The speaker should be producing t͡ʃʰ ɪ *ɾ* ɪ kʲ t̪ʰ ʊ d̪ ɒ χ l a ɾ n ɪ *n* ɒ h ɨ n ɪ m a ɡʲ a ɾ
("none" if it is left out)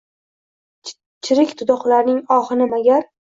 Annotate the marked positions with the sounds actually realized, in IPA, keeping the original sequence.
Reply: ɾ, ŋ

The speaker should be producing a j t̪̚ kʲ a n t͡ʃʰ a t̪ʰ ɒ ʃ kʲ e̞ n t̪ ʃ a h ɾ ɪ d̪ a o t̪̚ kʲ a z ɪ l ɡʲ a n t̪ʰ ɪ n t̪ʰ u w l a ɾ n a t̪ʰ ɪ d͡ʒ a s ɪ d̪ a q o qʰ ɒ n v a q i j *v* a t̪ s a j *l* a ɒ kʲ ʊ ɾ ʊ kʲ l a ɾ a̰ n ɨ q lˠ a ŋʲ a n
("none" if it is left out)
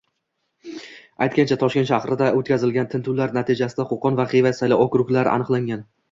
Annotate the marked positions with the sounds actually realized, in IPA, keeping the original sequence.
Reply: v, l

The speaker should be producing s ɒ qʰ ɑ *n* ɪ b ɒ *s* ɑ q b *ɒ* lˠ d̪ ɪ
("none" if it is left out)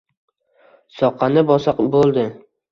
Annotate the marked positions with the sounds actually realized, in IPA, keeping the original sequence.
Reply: n, s, o

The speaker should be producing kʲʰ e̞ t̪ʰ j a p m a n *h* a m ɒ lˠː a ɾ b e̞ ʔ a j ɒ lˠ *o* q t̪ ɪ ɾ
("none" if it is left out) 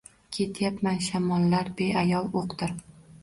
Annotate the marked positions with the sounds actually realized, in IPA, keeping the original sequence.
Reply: ʃ, o

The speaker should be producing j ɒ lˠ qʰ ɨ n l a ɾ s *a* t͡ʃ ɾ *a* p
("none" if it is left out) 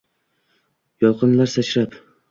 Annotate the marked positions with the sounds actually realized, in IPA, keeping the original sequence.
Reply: a, a

